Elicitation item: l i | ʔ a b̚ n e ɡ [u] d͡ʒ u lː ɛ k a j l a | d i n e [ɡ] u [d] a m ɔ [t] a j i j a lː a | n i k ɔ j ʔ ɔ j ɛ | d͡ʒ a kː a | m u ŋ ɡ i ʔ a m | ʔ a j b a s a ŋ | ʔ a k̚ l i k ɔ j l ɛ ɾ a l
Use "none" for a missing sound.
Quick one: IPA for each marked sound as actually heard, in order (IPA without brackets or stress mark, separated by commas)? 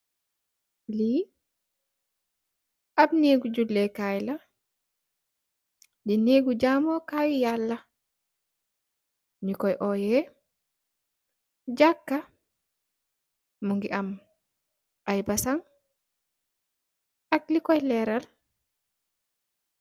u, ɡ, d͡ʒ, k